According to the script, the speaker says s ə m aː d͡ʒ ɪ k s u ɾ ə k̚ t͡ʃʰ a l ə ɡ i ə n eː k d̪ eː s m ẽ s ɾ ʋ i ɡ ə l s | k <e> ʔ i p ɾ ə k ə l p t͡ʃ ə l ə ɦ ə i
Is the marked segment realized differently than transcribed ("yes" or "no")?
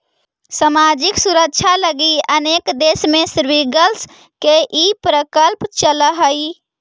no